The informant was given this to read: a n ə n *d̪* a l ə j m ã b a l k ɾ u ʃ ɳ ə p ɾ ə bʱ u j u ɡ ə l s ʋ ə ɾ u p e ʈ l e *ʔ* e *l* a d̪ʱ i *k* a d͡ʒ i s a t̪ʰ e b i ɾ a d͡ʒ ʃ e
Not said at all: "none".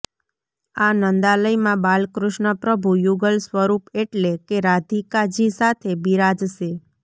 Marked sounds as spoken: d̪, k, ɾ, k

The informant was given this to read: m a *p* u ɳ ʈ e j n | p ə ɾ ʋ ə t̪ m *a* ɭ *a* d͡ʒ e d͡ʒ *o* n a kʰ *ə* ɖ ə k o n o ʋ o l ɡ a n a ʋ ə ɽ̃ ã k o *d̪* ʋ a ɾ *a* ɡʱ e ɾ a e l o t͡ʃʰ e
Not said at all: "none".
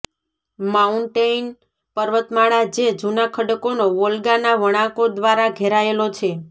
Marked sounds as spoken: none, a, a, u, ə, d̪, a

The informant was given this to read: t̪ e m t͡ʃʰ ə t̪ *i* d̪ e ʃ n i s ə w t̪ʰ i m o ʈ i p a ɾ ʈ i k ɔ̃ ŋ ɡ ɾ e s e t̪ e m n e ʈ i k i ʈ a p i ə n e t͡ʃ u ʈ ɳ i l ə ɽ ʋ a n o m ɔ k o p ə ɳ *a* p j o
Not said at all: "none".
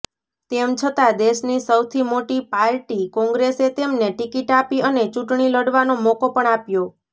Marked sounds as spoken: a, a

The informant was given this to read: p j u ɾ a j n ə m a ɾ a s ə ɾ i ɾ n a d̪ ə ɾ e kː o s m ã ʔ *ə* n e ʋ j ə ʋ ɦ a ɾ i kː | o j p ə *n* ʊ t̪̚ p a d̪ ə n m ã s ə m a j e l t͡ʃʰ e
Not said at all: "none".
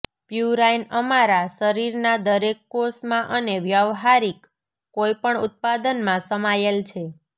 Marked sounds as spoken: ə, ɳ

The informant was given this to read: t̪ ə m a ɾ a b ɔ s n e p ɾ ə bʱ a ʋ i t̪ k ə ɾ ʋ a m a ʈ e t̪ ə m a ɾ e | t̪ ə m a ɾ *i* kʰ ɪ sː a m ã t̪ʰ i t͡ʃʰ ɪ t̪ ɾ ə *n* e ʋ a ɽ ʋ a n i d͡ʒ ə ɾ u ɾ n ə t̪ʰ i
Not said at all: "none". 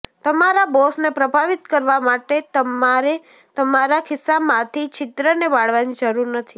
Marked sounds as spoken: a, n

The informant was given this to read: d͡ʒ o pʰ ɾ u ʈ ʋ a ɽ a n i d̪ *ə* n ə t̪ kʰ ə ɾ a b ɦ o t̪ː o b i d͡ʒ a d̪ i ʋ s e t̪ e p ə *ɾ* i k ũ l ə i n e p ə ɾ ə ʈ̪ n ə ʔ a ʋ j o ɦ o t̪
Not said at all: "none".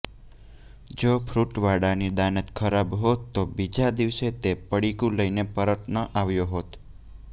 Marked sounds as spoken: a, ɽ

